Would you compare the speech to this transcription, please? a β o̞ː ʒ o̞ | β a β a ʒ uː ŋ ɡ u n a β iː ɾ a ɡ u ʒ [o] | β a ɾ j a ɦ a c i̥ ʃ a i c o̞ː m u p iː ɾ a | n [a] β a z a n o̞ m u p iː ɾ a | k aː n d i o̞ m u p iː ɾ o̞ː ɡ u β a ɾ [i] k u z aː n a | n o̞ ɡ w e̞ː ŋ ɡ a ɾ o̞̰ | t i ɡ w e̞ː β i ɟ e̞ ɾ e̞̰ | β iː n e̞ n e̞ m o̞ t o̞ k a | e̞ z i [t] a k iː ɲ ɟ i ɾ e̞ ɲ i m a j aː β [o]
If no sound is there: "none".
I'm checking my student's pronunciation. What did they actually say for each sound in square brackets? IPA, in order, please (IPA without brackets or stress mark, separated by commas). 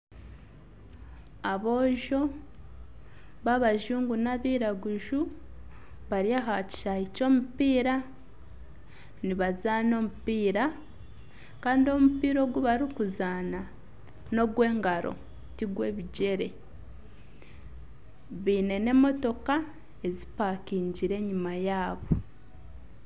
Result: u, i, i, p, o